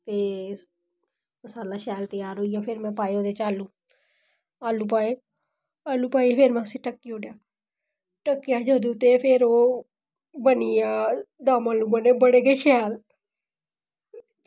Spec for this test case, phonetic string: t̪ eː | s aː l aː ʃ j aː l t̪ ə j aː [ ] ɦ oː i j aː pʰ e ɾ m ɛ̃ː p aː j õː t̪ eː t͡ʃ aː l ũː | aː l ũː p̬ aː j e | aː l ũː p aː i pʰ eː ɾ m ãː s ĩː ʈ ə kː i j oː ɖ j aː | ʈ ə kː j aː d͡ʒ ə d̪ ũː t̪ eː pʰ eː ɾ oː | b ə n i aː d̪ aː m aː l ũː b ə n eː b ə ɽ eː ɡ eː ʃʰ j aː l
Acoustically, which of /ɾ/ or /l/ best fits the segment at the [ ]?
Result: ɾ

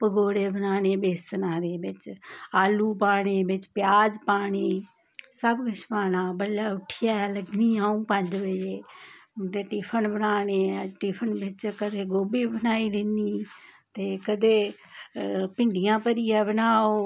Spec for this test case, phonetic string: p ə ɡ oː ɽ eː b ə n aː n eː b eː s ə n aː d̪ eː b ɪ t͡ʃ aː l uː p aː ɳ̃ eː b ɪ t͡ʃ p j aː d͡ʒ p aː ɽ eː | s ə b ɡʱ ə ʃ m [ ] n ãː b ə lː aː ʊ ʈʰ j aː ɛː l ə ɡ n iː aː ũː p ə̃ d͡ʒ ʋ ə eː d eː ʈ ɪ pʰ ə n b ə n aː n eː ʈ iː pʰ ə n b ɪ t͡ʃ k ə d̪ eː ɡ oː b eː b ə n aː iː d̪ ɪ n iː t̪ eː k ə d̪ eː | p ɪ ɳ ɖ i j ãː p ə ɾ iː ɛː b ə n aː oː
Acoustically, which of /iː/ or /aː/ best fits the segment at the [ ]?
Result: aː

